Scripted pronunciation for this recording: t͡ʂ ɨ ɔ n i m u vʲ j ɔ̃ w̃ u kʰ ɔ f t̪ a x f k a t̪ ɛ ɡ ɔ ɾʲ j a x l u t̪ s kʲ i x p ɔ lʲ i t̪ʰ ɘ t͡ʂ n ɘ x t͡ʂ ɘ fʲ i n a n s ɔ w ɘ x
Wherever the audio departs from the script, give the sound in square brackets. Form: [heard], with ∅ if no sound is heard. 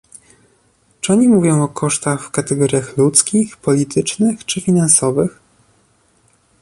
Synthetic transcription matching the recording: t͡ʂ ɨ ɔ [ɲ] i m u vʲ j ɔ̃ w̃ [ɔ] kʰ ɔ [ʂ] t̪ a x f k a t̪ ɛ ɡ ɔ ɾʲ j a x l u t̪ s kʲ i x p ɔ lʲ i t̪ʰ ɘ t͡ʂ n ɘ x t͡ʂ ɘ fʲ i n a n s ɔ [v] ɘ x